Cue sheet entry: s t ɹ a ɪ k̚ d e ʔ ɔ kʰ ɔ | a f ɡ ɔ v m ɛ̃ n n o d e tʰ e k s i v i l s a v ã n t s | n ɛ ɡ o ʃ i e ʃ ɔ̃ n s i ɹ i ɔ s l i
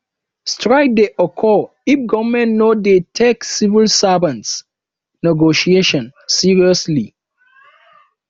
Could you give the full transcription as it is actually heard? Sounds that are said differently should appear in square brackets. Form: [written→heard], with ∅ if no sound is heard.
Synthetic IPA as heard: s t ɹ a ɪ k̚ d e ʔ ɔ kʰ ɔ | [a→i] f ɡ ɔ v m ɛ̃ n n o d e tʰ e k s i v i l s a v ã n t s | n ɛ ɡ o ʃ i e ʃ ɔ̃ n s i ɹ i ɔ s l i